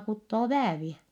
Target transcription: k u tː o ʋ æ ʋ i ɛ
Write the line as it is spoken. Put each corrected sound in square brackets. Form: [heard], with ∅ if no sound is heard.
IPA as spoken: k u tː [oː] ʋ [æː] ʋ i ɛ